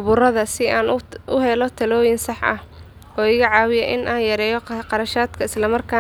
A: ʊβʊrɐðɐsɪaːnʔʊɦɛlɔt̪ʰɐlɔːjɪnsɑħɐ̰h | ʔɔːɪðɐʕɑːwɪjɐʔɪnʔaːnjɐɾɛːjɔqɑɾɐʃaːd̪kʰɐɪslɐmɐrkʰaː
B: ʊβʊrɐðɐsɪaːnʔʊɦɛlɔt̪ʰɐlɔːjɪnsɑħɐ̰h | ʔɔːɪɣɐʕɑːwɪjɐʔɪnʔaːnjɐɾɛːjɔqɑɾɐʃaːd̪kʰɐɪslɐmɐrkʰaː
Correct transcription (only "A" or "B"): B